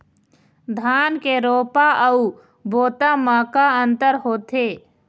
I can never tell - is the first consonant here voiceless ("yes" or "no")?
no